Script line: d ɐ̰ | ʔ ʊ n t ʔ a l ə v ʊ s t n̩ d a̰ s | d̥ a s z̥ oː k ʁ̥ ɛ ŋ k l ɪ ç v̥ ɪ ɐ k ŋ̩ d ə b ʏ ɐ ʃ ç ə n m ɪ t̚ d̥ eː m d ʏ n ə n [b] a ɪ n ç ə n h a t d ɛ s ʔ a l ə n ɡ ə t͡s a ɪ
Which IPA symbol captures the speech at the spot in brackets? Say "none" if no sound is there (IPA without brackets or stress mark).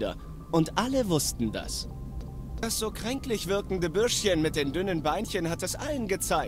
b